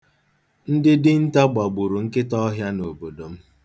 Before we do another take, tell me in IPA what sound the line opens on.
n̩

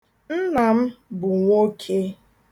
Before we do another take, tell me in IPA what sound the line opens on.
n̩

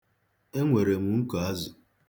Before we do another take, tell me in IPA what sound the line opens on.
e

